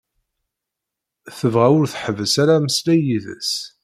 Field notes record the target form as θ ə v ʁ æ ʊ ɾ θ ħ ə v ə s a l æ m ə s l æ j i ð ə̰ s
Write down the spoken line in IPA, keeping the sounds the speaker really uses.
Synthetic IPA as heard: θ ə v ʁ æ ʊ ɾ θ ħ ə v ə s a ɾ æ m ə s l æ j i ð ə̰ s